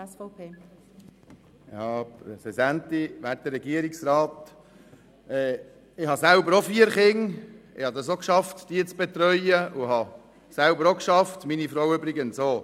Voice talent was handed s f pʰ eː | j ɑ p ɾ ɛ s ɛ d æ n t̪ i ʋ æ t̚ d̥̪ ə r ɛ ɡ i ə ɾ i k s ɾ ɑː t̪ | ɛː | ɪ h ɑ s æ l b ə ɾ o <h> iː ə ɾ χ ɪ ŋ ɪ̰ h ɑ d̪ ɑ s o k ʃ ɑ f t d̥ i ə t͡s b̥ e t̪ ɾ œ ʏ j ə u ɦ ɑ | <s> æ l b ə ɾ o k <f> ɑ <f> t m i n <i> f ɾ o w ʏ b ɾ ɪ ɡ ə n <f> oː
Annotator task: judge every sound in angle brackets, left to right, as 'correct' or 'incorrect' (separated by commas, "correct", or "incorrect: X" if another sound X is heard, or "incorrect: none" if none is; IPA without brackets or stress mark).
incorrect: f, correct, incorrect: ʃ, correct, correct, incorrect: s